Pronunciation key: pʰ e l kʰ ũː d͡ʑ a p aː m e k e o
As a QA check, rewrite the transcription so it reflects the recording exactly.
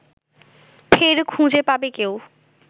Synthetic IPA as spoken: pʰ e ɾ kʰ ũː d͡ʑ e p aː b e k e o